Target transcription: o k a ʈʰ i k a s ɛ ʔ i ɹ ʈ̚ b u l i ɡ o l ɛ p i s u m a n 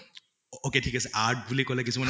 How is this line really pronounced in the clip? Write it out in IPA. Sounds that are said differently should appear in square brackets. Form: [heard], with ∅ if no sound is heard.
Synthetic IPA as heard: o k [e] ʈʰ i k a s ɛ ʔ [a] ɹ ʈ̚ b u l i [k] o l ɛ [k] i s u m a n